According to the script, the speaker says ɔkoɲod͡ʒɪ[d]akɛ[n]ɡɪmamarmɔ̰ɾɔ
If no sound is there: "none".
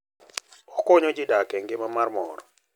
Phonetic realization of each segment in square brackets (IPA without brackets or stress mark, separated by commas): d, ŋ